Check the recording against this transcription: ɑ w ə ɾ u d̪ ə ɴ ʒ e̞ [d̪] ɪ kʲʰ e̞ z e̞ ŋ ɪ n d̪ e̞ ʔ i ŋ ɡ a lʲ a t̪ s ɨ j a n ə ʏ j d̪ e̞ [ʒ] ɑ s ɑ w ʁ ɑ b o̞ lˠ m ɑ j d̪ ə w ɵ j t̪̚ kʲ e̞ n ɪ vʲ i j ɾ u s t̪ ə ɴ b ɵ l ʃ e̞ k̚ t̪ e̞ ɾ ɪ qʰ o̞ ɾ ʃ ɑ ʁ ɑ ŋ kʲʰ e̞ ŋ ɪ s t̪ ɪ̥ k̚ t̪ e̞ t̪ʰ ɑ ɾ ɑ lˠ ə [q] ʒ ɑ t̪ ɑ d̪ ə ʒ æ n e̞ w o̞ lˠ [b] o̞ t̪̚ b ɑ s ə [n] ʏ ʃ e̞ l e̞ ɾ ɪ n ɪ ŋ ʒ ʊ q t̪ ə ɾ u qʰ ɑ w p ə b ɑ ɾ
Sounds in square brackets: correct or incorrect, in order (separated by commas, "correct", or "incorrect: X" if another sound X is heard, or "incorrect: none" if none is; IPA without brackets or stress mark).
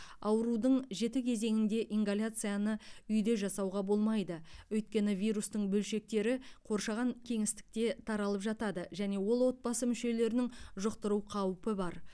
incorrect: t̪, correct, incorrect: p, incorrect: w, incorrect: m